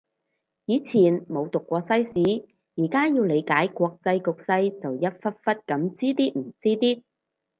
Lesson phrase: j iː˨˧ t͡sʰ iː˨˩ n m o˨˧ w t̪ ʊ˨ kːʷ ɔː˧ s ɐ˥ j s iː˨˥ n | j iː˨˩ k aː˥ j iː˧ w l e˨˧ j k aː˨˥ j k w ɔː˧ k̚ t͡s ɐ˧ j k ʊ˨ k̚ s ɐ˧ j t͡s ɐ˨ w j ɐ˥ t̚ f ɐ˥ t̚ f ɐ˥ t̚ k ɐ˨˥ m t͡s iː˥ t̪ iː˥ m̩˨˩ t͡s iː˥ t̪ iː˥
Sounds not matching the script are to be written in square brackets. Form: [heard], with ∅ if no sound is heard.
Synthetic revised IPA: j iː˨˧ t͡sʰ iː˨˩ n m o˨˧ w t̪ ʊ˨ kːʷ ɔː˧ s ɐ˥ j s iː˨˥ [∅] | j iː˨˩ k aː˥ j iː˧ w l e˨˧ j k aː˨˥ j k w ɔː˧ k̚ t͡s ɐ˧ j k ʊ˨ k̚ s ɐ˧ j t͡s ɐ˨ w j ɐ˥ t̚ f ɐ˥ t̚ f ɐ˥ t̚ k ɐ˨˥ m t͡s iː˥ t̪ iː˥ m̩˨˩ t͡s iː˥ t̪ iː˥